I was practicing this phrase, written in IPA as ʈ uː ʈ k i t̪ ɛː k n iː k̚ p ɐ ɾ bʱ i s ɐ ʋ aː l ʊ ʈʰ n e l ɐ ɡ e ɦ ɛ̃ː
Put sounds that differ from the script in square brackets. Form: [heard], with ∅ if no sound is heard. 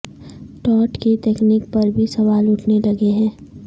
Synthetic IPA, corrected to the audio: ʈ [ɔː] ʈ k i t̪ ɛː k n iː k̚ p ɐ ɾ bʱ i s ɐ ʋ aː l ʊ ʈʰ n e l ɐ ɡ e ɦ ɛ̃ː